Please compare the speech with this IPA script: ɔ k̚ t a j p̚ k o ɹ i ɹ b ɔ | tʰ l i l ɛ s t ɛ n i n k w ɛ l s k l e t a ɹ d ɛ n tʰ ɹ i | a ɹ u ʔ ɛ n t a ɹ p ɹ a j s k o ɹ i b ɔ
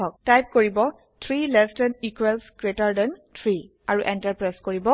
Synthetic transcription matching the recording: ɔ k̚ t a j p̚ k o ɹ i b ɔ | tʰ ɹ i l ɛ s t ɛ n i k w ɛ l s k ɹ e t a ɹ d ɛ n tʰ ɹ i | a ɹ u ʔ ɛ n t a ɹ p ɹ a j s k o ɹ i b ɔ